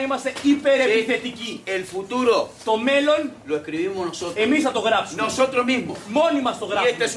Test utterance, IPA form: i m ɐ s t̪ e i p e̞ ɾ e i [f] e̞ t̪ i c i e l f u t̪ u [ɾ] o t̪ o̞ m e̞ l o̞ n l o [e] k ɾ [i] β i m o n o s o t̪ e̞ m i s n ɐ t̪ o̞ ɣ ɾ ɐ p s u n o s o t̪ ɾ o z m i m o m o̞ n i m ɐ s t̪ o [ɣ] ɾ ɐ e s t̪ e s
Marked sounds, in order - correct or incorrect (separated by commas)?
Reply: incorrect, correct, correct, correct, correct